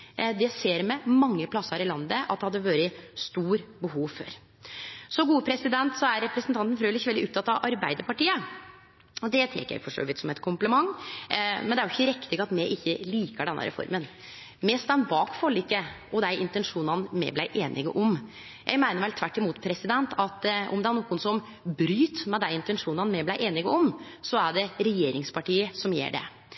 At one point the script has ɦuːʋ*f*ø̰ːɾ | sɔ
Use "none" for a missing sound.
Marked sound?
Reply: f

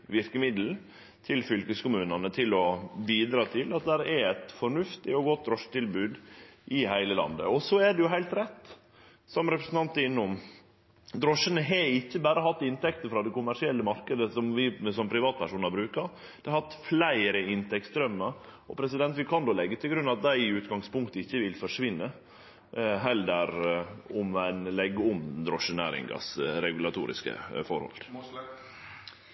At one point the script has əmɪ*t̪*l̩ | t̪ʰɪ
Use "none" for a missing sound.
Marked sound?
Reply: d̪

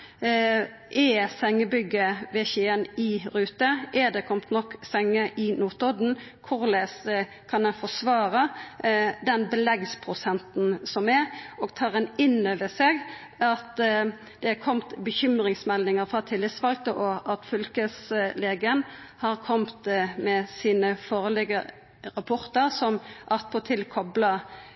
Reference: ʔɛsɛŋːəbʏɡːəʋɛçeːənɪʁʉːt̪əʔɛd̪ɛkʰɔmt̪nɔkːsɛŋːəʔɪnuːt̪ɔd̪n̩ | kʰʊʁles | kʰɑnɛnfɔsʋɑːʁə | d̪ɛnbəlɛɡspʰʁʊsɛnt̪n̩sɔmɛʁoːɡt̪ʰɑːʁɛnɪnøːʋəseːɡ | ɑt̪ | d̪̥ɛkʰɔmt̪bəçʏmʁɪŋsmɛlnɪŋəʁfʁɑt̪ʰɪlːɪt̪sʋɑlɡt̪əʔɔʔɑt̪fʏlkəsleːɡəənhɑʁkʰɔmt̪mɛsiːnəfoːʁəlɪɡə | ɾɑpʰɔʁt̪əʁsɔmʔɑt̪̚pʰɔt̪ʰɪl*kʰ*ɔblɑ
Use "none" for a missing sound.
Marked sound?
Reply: kʰ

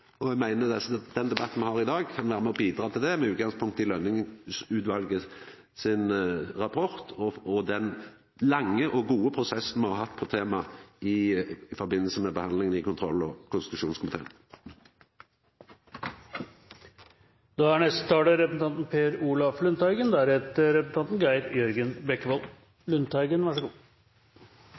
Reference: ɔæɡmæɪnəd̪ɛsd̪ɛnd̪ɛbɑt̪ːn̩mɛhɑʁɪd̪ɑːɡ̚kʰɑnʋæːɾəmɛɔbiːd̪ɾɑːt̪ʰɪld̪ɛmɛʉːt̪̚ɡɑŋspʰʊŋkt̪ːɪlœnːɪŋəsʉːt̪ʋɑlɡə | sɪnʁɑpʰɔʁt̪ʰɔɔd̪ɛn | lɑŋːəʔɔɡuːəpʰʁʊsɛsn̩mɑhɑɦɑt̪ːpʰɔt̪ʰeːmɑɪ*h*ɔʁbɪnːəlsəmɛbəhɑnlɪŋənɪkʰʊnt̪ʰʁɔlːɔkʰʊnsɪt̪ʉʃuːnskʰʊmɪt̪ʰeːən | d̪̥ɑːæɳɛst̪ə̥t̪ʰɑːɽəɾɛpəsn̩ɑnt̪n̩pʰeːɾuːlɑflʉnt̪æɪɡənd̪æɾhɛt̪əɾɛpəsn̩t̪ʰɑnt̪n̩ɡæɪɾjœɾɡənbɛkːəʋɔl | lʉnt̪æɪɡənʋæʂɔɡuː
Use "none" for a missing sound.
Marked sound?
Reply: f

